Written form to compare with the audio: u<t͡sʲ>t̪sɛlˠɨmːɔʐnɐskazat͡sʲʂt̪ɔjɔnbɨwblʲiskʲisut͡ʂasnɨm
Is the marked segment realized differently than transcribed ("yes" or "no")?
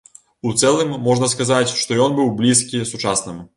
yes